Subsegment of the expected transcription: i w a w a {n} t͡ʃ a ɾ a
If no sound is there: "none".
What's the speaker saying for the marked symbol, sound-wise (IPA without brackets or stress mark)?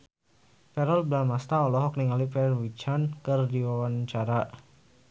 n